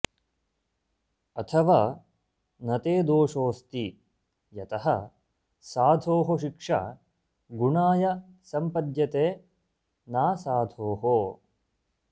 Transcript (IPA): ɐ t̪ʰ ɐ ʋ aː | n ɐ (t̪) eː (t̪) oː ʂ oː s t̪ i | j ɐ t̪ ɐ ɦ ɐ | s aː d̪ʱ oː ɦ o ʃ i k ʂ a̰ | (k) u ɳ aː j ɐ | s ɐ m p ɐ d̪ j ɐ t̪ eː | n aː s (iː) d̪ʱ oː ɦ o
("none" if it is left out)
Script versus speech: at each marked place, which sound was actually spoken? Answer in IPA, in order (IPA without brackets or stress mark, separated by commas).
t̪, d̪, ɡ, aː